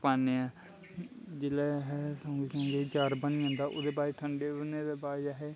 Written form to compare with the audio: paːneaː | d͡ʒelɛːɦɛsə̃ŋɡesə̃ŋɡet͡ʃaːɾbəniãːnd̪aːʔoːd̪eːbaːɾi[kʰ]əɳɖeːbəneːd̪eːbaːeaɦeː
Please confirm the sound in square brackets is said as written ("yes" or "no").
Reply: no